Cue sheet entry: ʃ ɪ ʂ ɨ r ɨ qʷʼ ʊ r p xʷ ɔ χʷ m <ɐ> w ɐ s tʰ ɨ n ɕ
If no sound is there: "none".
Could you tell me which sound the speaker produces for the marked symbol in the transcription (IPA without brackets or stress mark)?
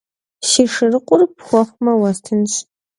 ɐ